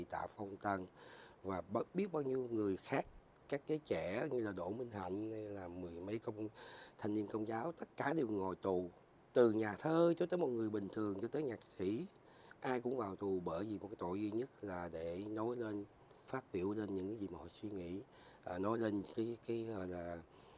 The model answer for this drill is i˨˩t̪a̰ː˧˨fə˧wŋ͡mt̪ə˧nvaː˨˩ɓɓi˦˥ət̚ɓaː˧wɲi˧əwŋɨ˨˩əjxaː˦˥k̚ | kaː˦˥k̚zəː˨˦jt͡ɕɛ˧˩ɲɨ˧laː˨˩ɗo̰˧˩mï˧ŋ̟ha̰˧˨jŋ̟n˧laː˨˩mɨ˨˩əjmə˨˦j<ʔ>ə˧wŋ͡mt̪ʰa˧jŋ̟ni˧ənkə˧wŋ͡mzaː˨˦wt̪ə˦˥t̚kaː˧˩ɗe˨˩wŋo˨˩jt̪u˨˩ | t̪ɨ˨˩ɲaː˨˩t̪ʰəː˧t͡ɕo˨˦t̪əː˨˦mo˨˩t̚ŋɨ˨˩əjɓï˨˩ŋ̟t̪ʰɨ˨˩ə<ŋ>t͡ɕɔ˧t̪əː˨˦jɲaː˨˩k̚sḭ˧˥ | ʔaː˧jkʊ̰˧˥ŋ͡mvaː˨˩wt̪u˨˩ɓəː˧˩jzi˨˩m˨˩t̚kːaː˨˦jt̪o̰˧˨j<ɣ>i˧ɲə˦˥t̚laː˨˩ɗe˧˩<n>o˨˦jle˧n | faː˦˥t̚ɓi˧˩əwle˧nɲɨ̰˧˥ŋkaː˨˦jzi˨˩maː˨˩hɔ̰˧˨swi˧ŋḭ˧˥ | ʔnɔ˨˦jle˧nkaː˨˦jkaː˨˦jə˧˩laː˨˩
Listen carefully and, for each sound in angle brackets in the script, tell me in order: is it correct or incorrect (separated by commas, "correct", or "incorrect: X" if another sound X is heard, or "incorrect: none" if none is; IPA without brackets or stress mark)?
incorrect: k, correct, incorrect: z, correct